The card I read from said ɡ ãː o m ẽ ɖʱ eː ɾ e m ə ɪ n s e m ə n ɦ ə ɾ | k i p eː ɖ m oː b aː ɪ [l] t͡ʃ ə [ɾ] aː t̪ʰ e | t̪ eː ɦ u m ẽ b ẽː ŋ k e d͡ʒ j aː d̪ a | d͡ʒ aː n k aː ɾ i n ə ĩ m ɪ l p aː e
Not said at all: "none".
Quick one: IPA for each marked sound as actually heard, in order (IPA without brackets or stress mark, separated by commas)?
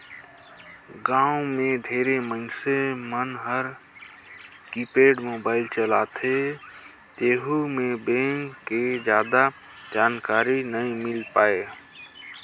l, l